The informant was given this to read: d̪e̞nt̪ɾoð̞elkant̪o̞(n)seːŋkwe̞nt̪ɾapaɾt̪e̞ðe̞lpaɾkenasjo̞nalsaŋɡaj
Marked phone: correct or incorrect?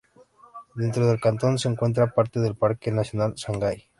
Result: correct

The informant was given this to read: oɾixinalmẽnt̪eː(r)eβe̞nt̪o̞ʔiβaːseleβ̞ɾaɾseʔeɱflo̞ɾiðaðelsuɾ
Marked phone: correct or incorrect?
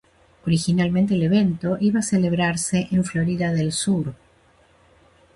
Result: incorrect: l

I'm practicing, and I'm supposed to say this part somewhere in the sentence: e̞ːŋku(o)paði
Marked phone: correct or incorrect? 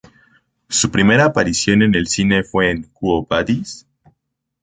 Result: correct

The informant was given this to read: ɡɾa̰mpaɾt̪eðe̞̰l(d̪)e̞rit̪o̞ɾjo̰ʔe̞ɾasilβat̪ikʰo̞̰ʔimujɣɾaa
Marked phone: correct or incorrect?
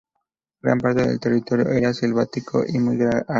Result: incorrect: t̪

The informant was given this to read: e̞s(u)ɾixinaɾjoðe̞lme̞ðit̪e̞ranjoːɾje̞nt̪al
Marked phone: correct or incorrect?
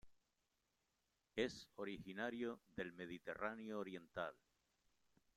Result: incorrect: o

